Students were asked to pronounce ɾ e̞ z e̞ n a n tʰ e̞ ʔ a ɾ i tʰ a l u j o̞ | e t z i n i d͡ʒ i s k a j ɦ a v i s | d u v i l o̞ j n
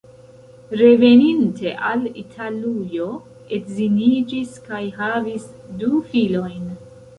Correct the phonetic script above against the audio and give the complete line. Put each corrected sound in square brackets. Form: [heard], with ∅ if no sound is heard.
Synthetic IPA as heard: ɾ e̞ [v] e̞ n [i] n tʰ e̞ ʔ a [l] i tʰ a l u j o̞ | e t z i n i d͡ʒ i s k a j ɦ a v i s | d u [f] i l o̞ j n